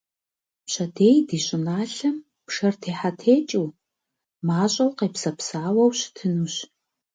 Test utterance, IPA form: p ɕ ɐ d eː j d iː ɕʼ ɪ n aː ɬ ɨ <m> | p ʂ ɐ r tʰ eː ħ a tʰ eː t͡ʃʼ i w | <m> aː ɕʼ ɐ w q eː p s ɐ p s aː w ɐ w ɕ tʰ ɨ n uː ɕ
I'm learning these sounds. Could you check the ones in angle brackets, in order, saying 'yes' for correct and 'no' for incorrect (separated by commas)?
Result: yes, yes